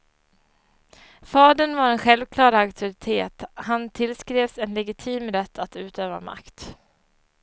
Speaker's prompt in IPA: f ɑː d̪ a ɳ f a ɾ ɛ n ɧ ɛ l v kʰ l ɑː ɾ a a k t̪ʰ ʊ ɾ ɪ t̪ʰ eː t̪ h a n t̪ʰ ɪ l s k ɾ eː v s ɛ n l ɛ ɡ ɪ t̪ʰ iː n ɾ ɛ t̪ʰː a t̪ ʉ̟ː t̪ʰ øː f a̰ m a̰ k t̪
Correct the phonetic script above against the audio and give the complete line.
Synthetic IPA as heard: f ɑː d̪ ə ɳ v a ɾ ɛ n ɧ ɛ l v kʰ l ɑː ɾ a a k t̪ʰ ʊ ɾ ɪ t̪ʰ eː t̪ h a n t̪ʰ ɪ l s k ɾ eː v s ɛ n l ɛ ɡ ɪ t̪ʰ iː m ɾ ɛ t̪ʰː a t̪ ʉ̟ː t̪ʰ øː v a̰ m a̰ k t̪